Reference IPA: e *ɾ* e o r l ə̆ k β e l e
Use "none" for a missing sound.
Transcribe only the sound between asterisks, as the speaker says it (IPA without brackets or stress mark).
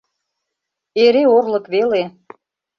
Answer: ɾ